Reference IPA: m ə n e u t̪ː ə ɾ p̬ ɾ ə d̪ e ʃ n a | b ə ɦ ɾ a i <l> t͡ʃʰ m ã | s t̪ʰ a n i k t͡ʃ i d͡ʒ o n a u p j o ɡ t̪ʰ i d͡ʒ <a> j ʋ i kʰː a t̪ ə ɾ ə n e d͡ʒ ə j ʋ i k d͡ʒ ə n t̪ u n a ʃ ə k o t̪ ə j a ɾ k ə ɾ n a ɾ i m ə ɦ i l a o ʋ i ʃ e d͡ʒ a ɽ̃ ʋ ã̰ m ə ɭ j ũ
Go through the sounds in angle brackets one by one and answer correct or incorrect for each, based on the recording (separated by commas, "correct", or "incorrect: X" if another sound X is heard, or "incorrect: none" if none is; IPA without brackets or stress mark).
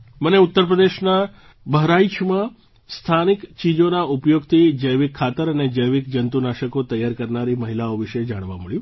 incorrect: none, incorrect: ə